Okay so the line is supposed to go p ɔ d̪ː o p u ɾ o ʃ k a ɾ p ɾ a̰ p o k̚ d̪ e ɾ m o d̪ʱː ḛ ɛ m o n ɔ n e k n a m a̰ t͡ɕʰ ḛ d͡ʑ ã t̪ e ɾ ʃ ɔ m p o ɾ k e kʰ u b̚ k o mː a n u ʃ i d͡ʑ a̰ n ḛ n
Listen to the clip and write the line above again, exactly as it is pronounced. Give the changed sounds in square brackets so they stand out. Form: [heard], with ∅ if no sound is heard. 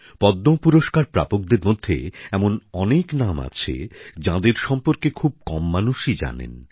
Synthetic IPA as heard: p ɔ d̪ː o p u ɾ o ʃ k a ɾ p ɾ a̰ p o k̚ d̪ e ɾ m o d̪ʱː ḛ ɛ m o n ɔ n e k n a m a̰ t͡ɕʰ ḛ d͡ʑ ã [d̪] e ɾ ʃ ɔ m p o ɾ k e kʰ u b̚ k [ɔ] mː a n u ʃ i d͡ʑ a̰ n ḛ n

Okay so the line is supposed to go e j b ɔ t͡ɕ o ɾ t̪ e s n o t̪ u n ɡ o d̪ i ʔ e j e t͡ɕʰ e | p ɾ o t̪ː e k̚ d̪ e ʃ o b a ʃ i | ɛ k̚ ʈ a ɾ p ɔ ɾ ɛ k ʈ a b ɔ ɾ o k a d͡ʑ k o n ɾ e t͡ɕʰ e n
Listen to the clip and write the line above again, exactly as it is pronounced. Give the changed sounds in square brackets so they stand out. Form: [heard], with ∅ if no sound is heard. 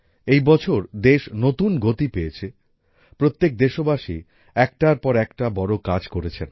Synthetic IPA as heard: e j b ɔ [t͡ɕʰ] o ɾ [d̪] e [ʃ] n o t̪ u n ɡ o [t̪] i [p] e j e t͡ɕʰ e | p ɾ o t̪ː e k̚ d̪ e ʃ o b a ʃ i | ɛ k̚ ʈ a ɾ p ɔ ɾ ɛ k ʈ a b ɔ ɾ o k a d͡ʑ k o [∅] ɾ e t͡ɕʰ e n

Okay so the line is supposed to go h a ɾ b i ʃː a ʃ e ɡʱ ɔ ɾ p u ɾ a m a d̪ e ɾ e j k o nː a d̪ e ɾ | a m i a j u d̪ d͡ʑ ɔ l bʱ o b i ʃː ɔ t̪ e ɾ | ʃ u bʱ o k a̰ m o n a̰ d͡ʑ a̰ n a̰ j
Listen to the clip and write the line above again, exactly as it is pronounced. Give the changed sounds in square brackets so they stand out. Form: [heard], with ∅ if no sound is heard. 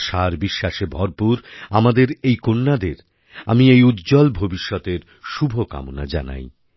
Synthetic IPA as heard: [ʃ] a ɾ b i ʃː a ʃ e [bʱ] ɔ ɾ p u ɾ a m a d̪ e ɾ e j k o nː a d̪ e ɾ | a m i [e] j u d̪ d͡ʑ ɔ l bʱ o b i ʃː ɔ t̪ e ɾ | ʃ u bʱ o k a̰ m o n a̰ d͡ʑ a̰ n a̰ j

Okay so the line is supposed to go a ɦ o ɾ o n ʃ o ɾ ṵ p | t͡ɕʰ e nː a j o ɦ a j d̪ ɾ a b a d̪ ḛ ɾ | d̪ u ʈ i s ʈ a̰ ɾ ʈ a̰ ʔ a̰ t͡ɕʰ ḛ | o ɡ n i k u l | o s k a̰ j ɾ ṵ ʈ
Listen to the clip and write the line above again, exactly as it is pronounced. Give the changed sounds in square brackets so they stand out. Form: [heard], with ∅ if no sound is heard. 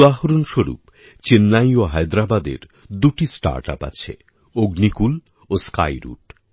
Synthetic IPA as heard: a ɦ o ɾ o n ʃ o ɾ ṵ p | [t͡ɕ] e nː a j o ɦ a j d̪ ɾ a b a d̪ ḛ ɾ | d̪ u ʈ i s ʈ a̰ ɾ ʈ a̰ [p] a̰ t͡ɕʰ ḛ | o ɡ n i k u l | o s k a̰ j ɾ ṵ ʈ

